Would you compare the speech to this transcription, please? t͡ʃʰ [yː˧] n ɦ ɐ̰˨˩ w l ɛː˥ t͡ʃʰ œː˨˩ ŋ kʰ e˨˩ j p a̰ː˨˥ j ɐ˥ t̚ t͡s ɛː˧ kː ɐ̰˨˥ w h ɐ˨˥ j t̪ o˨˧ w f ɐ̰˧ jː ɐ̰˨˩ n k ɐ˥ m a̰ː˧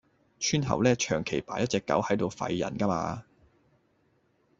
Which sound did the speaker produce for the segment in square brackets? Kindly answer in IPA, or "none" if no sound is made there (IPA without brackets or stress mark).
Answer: yː˥